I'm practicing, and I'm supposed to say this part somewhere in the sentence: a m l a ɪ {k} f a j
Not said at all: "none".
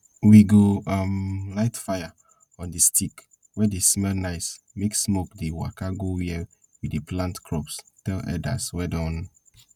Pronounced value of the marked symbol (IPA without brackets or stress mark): t